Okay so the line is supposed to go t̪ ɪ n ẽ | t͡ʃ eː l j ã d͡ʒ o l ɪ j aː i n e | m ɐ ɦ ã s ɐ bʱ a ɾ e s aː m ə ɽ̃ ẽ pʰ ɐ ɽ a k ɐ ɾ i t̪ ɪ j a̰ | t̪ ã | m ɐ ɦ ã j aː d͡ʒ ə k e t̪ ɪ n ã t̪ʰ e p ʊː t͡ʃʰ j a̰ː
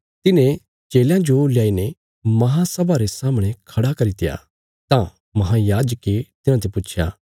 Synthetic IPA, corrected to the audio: t̪ ɪ n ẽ | t͡ʃ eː l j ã d͡ʒ o l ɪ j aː i n e | m ɐ ɦ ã s ɐ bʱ a ɾ e s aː m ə ɽ̃ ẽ kʰ ɐ ɽ a k ɐ ɾ i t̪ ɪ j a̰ | t̪ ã | m ɐ ɦ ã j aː d͡ʒ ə k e t̪ ɪ n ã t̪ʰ e p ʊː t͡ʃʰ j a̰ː

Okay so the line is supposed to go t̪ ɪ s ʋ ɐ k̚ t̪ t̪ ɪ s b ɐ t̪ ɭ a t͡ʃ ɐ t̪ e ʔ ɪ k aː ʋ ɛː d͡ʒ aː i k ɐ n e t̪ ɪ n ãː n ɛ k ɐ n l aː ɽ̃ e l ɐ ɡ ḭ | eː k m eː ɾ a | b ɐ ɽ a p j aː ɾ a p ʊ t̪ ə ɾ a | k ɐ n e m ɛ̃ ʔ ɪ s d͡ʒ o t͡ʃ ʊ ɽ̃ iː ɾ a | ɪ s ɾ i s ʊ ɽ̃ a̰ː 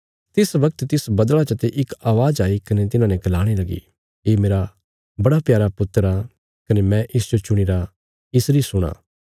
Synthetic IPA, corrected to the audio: t̪ ɪ s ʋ ɐ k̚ t̪ t̪ ɪ s b ɐ d̪ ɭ a t͡ʃ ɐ t̪ e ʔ ɪ k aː ʋ aː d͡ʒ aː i k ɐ n e t̪ ɪ n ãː n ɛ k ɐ l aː ɽ̃ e l ɐ ɡ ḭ | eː m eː ɾ a | b ɐ ɽ a p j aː ɾ a p ʊ t̪ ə ɾ a | k ɐ n e m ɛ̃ ʔ ɪ s d͡ʒ o t͡ʃ ʊ ɽ̃ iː ɾ a | ɪ s ɾ i s ʊ ɽ̃ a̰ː

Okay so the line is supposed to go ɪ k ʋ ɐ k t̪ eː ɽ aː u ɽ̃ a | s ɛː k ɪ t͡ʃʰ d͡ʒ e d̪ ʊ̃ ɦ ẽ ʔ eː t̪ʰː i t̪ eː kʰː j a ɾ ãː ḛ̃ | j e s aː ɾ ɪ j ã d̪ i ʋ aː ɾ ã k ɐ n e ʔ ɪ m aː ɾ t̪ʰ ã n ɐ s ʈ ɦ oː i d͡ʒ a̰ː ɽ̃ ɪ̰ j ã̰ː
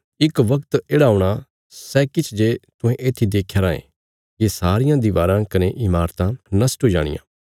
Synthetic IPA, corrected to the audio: ɪ k ʋ ɐ k t̪ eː ɽ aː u ɽ̃ a | s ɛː k ɪ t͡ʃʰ d͡ʒ e t̪ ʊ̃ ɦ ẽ ʔ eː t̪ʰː i d̪ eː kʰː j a ɾ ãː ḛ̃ | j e s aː ɾ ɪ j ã d̪ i ʋ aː ɾ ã k ɐ n e ʔ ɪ m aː ɾ t̪ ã n ɐ s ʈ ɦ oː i d͡ʒ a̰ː ɽ̃ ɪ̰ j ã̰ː

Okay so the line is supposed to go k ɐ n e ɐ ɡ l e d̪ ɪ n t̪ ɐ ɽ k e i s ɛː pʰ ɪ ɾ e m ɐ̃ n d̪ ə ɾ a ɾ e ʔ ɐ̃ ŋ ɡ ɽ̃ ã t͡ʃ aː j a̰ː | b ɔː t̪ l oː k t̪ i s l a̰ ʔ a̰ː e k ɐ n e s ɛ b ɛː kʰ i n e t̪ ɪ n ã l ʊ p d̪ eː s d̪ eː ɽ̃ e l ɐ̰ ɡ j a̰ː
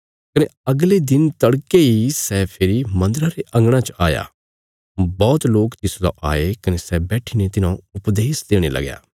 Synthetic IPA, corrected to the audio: k ɐ n e ɐ ɡ l e d̪ ɪ n t̪ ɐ ɽ k e i s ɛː pʰ ɪ ɾ i m ɐ̃ n d̪ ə ɾ a ɾ e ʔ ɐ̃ ŋ ɡ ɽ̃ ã t͡ʃ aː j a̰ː | b ɔː t̪ l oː k t̪ ɪ s l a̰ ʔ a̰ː e k ɐ n e s ɛ b ɛː ʈʰ i n e t̪ ɪ n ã ʊ p d̪ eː s d̪ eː ɽ̃ e l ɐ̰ ɡ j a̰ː

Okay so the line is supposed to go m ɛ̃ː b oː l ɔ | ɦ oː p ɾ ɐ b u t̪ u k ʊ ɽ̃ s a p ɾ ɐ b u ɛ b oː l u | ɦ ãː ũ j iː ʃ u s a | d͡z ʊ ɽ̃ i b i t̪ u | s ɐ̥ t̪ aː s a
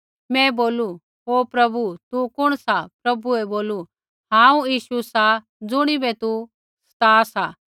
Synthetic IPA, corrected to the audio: m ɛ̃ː b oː l u | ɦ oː p ɾ ɐ b u t̪ u k ʊ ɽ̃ s a p ɾ ɐ b u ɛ b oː l u | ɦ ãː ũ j iː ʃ u s a | d͡z ʊ ɽ̃ i b ɛ t̪ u | s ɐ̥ t̪ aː s a

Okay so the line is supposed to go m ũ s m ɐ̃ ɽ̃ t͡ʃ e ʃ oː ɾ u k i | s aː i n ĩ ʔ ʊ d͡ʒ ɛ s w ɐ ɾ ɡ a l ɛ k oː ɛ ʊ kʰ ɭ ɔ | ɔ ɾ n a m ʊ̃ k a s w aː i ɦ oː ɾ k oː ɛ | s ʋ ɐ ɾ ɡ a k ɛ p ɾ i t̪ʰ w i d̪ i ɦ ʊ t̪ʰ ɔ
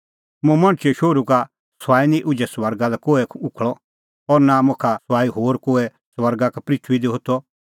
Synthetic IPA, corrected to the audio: m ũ m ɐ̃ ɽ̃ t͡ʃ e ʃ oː ɾ u k a | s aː i n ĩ ʔ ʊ d͡ʒ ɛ s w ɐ ɾ ɡ a l ɛ k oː ɛ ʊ kʰ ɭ ɔ | ɔ ɾ n a m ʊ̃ kʰ a s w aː i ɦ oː ɾ k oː ɛ | s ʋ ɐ ɾ ɡ a k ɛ p ɾ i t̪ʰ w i d̪ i ɦ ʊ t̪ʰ ɔ

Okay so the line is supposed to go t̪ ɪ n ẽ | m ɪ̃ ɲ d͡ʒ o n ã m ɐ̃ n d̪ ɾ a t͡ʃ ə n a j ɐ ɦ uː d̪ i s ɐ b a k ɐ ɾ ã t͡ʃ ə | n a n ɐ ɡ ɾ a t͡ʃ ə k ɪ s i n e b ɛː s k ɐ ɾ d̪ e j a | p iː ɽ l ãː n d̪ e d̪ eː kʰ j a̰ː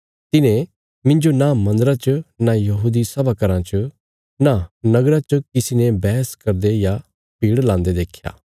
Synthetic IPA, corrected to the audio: t̪ ɪ n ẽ | m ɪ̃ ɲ d͡ʒ o n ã m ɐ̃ n d̪ ɾ a t͡ʃ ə n a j ɐ ɦ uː d̪ i s ɐ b a k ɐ ɾ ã t͡ʃ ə | n a n ɐ ɡ ɾ a t͡ʃ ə k ɪ s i n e b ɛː s k ɐ ɾ d̪ e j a | p iː ɽ l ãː n d̪ e d̪ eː kʰ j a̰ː

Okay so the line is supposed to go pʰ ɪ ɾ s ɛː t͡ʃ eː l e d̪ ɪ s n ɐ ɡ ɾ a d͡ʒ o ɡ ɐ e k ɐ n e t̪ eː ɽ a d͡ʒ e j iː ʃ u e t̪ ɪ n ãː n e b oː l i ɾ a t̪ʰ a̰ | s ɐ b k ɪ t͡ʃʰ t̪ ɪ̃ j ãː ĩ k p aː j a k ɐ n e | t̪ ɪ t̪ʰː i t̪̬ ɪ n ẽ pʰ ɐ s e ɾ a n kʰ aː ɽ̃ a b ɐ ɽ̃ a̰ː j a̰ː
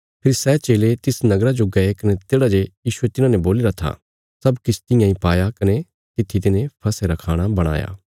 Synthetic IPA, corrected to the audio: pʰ ɪ ɾ s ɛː t͡ʃ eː l e t̪ ɪ s n ɐ ɡ ɾ a d͡ʒ o ɡ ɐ e k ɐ n e t̪ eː ɽ a d͡ʒ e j iː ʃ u e t̪ ɪ n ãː n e b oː l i ɾ a t̪ʰ a̰ | s ɐ b k ɪ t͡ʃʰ t̪ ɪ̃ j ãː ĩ p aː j a k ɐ n e | t̪ ɪ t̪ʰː i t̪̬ ɪ n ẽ pʰ ɐ s e ɾ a kʰ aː ɽ̃ a b ɐ ɽ̃ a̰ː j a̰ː

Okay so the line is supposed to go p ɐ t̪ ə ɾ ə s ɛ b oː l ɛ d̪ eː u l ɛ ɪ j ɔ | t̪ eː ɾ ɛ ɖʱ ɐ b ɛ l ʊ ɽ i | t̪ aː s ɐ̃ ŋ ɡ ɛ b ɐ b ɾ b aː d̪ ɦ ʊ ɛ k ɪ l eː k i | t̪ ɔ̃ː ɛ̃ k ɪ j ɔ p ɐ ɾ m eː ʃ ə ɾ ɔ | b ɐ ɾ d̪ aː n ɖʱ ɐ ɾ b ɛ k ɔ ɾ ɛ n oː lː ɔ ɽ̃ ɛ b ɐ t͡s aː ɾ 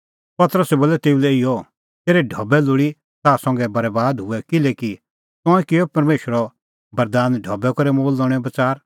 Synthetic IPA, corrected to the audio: p ɐ t̪ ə ɾ ə s ɛ b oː l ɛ t̪ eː u l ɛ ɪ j ɔ | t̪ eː ɾ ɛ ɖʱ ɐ b ɛ l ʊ ɽ i | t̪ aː s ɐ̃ ŋ ɡ ɛ b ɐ ɾ b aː d̪ ɦ ʊ ɛ k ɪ l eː k i | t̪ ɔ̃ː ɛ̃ k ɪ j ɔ p ɐ ɾ m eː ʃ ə ɾ ɔ | b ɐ ɾ d̪ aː n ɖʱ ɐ b ɛ k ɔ ɾ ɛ m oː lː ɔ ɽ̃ ɛ b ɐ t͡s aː ɾ

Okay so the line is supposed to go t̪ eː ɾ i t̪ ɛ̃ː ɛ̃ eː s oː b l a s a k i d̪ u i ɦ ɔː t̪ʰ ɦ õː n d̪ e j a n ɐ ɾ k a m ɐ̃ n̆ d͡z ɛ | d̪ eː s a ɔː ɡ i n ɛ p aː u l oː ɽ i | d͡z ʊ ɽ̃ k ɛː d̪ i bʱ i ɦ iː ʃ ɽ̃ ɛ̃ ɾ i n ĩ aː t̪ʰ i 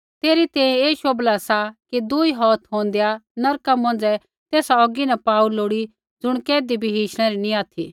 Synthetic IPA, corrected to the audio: t̪ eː ɾ i t̪ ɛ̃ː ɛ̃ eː ʃ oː b l a s a k i d̪ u i ɦ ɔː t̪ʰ ɦ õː n d̪ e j a n ɐ ɾ k a m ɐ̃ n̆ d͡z ɛ | t̪ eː s a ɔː ɡ i n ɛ p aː u l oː ɽ i | d͡z ʊ ɽ̃ k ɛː d̪ i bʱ i ɦ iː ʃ ɽ̃ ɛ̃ ɾ i n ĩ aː t̪ʰ i

